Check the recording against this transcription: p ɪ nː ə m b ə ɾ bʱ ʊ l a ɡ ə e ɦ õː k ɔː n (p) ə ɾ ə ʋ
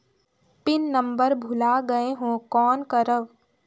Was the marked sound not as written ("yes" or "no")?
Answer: yes